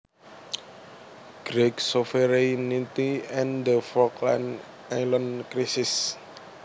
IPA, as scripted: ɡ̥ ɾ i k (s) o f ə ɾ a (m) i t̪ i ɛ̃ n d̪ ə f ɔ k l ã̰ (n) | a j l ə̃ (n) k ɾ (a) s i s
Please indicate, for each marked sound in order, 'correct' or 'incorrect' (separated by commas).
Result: correct, incorrect, correct, correct, incorrect